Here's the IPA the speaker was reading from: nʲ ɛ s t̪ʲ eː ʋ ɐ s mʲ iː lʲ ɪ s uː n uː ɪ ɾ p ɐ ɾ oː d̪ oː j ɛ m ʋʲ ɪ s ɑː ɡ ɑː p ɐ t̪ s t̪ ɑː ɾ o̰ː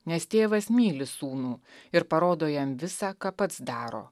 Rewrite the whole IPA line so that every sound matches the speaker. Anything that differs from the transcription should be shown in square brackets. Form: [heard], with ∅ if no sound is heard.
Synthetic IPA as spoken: nʲ ɛ s t̪ʲ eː ʋ ɐ s mʲ iː lʲ ɪ s uː n uː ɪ ɾ p ɐ ɾ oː d̪ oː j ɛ m ʋʲ ɪ s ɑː [k] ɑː p ɐ t̪ s [d̪] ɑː ɾ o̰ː